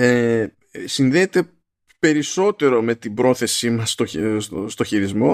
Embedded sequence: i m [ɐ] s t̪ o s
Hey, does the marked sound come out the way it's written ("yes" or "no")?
yes